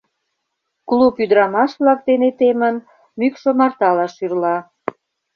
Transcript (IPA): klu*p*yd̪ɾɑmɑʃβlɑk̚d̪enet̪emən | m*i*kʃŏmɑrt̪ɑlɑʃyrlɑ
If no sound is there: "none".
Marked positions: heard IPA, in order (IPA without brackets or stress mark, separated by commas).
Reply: p, y